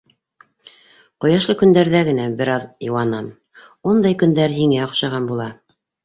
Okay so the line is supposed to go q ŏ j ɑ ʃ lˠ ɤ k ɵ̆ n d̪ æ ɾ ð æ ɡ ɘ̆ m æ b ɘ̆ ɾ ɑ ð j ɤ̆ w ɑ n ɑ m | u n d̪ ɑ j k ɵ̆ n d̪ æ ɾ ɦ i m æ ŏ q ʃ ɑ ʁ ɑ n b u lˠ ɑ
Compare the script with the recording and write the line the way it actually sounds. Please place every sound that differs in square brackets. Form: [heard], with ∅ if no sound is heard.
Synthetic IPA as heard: q ŏ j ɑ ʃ lˠ ɤ k ɵ̆ n d̪ æ ɾ ð æ ɡ ɘ̆ [n] æ b ɘ̆ ɾ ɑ ð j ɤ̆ w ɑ n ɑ m | u n d̪ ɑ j k ɵ̆ n d̪ æ ɾ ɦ i [ŋ] æ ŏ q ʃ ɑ ʁ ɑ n b u lˠ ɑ